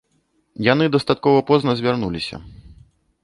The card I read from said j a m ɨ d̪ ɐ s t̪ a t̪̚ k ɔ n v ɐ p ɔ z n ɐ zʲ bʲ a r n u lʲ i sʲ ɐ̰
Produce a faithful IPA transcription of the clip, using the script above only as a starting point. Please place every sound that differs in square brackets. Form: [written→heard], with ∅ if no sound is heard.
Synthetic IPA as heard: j a [m→n] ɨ d̪ ɐ s t̪ a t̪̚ k ɔ [n→∅] v ɐ p ɔ z n ɐ zʲ [bʲ→vʲ] a r n u lʲ i sʲ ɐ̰